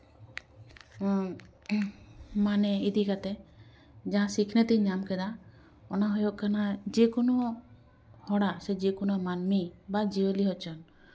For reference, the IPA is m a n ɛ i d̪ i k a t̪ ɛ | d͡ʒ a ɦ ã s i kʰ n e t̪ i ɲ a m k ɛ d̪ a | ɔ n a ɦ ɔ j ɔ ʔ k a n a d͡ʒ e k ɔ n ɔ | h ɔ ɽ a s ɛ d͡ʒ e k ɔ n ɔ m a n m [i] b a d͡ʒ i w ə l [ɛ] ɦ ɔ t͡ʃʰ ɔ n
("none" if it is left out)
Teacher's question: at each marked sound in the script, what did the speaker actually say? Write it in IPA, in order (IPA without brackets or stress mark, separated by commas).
i, i